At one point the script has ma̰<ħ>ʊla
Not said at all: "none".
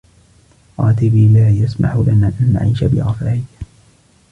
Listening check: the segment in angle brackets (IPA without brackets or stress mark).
ħ